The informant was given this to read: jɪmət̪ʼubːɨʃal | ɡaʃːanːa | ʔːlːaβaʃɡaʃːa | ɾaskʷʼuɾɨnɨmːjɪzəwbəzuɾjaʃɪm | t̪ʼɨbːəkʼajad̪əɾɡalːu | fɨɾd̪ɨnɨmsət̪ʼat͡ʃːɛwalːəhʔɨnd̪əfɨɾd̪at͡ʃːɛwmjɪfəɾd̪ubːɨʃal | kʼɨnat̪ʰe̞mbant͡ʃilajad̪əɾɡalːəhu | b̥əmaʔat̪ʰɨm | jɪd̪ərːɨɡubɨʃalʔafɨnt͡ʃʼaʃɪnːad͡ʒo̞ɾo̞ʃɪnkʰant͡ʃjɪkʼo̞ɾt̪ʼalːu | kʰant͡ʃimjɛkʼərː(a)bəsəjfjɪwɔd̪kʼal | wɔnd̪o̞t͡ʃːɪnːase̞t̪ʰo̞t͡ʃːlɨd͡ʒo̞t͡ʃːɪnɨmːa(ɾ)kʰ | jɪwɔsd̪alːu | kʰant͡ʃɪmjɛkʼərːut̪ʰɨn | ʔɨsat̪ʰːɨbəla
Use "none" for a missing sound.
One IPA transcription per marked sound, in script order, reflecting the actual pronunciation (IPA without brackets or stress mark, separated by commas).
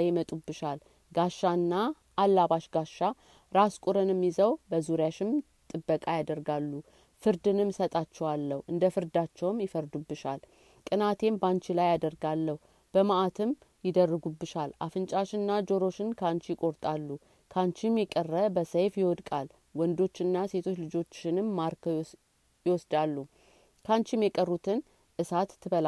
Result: ə, ɾ